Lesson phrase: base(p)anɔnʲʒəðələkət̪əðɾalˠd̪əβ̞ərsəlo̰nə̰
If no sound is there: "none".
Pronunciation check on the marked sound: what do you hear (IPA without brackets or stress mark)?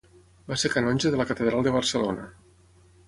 k